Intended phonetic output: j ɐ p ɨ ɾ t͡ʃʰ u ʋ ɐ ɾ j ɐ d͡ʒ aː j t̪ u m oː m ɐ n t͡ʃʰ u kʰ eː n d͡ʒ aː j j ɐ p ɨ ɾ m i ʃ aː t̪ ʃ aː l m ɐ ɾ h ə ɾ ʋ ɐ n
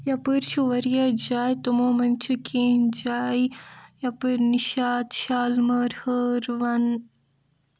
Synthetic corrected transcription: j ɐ p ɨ ɾ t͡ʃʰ u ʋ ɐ ɾ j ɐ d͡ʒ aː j t̪ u m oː m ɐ n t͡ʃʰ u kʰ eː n d͡ʒ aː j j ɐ p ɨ ɾ n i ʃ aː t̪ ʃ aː l m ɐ ɾ h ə ɾ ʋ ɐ n